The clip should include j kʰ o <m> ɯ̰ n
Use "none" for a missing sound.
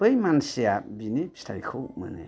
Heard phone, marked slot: m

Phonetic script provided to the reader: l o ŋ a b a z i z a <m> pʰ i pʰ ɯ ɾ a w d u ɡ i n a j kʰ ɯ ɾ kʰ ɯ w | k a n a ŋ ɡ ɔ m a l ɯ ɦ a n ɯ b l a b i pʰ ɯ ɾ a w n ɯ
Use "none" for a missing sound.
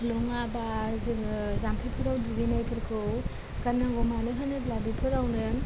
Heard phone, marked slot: m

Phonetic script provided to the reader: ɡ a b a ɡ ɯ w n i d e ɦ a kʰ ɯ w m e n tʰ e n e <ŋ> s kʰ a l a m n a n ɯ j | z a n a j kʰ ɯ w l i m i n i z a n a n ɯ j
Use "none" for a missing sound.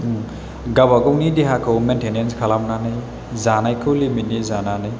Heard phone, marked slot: n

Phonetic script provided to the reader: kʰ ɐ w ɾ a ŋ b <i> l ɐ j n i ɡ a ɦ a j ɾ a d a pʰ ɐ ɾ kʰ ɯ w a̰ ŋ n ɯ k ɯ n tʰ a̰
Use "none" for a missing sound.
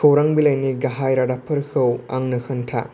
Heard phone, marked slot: i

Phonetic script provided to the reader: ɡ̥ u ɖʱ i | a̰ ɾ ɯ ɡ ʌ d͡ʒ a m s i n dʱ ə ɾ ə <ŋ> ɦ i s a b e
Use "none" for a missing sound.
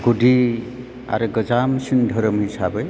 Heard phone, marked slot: m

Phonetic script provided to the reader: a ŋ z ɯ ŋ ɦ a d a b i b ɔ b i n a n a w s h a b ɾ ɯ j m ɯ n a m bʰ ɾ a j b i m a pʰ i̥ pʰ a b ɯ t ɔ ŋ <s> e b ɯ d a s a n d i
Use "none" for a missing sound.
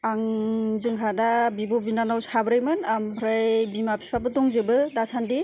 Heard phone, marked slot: z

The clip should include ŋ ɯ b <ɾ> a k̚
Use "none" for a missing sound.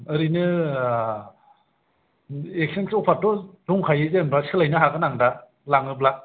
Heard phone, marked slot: l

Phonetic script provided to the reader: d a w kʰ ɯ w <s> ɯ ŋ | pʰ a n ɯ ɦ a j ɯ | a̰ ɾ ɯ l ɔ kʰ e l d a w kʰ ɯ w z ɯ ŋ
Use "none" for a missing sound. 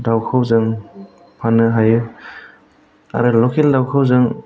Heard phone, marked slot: z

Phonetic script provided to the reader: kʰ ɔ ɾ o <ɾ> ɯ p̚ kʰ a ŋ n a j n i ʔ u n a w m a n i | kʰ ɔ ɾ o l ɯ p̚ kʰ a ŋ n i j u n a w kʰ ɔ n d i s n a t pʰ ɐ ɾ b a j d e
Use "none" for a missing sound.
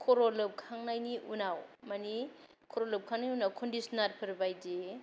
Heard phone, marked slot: l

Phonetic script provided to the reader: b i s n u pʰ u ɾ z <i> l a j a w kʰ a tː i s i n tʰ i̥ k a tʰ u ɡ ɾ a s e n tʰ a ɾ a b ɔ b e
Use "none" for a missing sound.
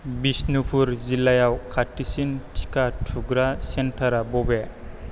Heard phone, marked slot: i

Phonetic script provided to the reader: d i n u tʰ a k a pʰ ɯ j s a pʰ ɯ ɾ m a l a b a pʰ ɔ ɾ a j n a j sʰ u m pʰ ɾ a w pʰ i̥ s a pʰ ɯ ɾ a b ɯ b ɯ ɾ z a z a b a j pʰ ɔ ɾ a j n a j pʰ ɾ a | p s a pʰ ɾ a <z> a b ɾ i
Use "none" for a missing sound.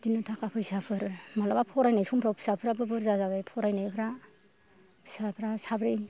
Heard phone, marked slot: s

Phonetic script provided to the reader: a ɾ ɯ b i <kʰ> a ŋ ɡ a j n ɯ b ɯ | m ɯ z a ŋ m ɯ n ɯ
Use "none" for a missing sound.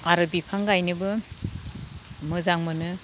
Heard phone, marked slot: pʰ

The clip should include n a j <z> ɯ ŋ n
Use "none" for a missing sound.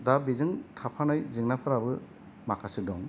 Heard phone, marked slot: z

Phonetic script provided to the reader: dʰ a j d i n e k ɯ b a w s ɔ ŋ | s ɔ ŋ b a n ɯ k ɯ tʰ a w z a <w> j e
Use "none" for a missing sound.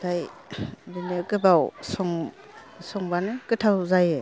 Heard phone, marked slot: none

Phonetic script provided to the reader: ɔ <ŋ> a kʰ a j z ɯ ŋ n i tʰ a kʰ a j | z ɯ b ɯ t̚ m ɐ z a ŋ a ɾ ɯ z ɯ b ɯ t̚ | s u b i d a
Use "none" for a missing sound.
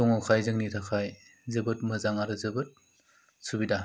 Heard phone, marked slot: ŋ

